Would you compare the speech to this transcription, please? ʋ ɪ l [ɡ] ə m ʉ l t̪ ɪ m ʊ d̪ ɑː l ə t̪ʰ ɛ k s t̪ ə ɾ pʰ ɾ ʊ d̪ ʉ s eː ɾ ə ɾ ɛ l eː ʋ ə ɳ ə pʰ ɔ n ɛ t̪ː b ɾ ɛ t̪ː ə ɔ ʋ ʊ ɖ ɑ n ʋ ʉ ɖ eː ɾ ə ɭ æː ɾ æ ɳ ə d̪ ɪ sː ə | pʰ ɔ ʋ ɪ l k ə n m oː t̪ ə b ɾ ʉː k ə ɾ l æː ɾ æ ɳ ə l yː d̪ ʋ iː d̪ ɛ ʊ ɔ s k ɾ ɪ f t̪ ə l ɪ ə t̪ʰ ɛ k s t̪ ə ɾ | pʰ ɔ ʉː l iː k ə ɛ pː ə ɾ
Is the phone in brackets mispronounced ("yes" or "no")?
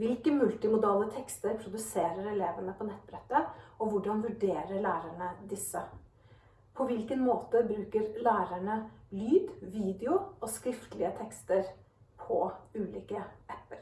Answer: yes